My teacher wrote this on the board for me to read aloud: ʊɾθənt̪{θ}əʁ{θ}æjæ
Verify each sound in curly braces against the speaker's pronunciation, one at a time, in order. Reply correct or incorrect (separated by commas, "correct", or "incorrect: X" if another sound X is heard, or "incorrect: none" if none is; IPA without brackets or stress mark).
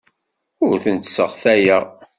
incorrect: s, correct